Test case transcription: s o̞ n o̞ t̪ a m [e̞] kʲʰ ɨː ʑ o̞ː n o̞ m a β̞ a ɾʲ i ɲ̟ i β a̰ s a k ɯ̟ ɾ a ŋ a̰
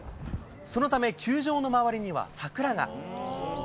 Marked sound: correct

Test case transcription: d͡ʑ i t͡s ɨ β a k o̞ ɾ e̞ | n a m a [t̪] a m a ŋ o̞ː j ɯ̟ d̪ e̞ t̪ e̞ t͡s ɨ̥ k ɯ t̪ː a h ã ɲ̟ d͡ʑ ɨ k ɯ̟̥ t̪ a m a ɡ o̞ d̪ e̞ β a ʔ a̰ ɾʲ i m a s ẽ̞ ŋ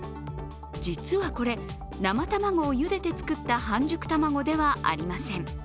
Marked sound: correct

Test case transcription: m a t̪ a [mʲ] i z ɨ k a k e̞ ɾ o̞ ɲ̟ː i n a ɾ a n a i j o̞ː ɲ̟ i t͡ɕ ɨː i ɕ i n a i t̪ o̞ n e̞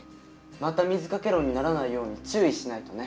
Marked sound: correct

